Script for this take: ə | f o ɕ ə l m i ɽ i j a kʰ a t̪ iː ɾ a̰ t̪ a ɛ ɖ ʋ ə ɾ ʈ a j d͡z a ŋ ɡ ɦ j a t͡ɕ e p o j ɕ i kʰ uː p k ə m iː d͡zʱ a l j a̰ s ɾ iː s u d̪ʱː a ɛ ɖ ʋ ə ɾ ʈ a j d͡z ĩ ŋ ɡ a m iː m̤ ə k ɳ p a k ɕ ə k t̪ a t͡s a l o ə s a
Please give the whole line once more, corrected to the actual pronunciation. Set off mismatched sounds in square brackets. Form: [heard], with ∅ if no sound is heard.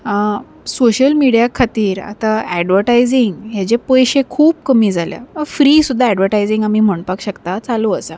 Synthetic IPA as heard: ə | [s] o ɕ ə l m i ɽ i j a kʰ a t̪ iː ɾ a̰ t̪ a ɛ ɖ ʋ ə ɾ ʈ a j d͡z [i] ŋ ɡ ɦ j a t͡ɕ e p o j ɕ [e] kʰ uː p k ə m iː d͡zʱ a l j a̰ [f] ɾ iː s u d̪ʱː a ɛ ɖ ʋ ə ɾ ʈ a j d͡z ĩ ŋ ɡ a m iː m̤ ə [∅] ɳ p a k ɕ ə k t̪ a t͡s a l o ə s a